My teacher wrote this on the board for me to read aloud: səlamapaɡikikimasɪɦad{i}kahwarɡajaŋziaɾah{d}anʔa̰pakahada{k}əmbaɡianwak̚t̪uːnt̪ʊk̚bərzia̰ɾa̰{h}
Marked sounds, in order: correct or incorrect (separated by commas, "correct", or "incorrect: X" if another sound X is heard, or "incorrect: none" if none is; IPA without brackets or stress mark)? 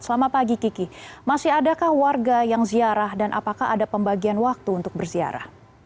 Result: incorrect: a, correct, incorrect: p, correct